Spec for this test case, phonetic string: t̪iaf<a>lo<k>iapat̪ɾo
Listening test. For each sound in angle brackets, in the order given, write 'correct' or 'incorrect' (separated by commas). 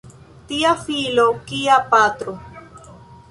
incorrect, correct